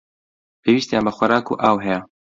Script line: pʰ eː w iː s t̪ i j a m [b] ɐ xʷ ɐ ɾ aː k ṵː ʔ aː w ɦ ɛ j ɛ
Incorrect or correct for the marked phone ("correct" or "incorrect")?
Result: correct